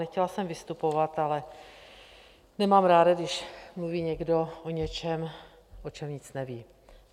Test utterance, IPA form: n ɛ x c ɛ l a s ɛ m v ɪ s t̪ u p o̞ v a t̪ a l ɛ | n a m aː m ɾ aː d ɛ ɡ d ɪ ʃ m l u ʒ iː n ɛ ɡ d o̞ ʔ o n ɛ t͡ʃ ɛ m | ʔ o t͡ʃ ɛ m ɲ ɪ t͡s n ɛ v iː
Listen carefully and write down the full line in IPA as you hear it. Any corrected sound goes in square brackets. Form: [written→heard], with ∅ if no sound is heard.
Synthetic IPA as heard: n ɛ x c ɛ l a s ɛ m v ɪ s t̪ u p o̞ v a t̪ a l ɛ | n [a→ɛ] m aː m ɾ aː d [ɛ→a] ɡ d ɪ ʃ m l u [ʒ→v] iː [n→ɲ] ɛ ɡ d o̞ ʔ o [n→ɲ] ɛ t͡ʃ ɛ m | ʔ o t͡ʃ ɛ m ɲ ɪ t͡s n ɛ v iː